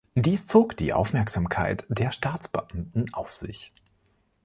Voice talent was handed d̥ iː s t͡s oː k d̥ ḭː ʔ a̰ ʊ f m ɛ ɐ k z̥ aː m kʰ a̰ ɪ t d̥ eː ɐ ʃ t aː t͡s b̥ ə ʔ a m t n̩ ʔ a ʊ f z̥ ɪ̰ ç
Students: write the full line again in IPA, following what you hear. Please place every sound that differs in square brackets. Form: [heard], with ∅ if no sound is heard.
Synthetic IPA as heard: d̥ iː s t͡s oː k d̥ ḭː ʔ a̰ ʊ f m ɛ ɐ k z̥ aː m kʰ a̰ ɪ t d̥ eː ɐ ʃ t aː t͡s b̥ ə ʔ a m t n̩ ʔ a ʊ f z̥ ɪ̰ ç